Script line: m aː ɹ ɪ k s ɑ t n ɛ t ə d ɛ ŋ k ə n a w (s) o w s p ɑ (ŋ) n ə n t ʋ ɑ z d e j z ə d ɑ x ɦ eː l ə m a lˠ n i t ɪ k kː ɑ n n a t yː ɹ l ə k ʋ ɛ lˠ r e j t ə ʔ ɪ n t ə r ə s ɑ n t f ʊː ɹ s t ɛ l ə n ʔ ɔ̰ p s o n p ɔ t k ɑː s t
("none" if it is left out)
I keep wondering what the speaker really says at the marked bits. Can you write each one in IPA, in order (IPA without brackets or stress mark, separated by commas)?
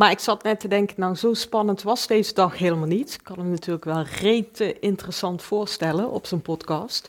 z, none